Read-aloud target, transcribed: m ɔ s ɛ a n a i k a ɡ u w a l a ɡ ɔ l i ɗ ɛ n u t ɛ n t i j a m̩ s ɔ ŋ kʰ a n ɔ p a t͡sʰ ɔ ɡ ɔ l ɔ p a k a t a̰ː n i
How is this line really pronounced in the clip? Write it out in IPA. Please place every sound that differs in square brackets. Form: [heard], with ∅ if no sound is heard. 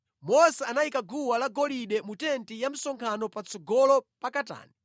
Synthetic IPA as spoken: m ɔ s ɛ a n a i k a ɡ u w a l a ɡ ɔ l i ɗ ɛ [m] u t ɛ n t i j a m̩ s ɔ ŋ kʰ a n ɔ p a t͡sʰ ɔ ɡ ɔ l ɔ p a k a t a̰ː n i